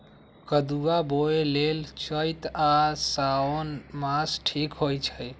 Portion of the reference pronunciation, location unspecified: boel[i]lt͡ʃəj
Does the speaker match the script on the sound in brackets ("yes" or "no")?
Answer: no